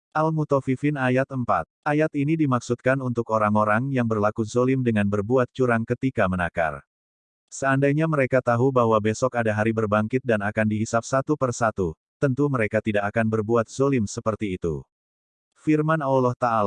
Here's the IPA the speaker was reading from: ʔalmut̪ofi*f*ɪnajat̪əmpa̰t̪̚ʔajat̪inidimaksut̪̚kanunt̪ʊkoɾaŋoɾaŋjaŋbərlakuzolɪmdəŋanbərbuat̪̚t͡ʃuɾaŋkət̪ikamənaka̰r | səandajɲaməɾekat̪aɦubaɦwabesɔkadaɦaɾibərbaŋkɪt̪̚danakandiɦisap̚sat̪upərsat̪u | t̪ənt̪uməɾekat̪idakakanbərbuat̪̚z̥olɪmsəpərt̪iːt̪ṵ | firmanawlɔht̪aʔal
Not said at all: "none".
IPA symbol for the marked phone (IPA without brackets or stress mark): f